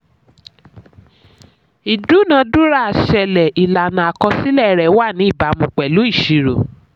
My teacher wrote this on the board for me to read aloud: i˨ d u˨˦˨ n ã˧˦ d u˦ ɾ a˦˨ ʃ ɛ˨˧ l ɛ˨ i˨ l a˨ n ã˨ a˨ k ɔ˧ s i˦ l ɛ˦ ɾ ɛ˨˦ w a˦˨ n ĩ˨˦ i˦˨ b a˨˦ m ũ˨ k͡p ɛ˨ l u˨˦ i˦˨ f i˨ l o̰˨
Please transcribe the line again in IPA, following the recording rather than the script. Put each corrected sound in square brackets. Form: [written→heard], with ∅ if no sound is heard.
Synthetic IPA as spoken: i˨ d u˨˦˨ n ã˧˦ d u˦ ɾ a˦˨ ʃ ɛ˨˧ l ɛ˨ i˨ l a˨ n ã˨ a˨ k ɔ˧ s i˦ l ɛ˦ ɾ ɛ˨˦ w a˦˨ n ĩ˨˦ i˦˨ b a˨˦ m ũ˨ k͡p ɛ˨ l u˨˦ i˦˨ [f→ʃ] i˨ [l→ɾ] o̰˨